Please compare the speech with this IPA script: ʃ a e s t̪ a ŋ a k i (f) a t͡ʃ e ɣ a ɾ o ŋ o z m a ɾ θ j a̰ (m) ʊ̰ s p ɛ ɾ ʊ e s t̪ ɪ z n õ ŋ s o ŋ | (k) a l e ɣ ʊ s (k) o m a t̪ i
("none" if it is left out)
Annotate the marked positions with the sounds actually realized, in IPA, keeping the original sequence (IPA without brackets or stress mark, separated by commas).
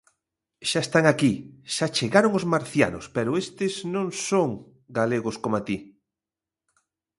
ʃ, n, ɡ, k